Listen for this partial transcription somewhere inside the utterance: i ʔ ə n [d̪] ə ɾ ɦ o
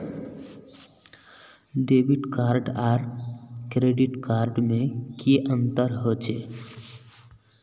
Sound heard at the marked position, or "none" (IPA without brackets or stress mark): t̪